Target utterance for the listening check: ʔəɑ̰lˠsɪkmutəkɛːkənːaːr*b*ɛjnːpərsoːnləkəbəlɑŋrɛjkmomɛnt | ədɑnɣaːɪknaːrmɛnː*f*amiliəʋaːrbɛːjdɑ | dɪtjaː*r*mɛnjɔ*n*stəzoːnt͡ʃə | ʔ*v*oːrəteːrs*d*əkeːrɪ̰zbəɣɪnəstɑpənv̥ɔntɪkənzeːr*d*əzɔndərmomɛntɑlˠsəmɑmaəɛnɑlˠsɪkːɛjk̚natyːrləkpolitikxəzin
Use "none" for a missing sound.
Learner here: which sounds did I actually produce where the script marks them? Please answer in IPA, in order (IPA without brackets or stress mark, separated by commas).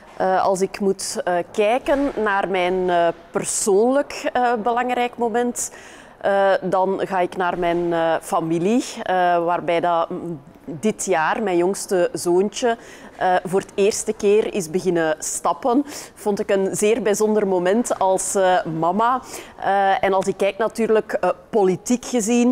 m, f, r, ŋ, v, t, b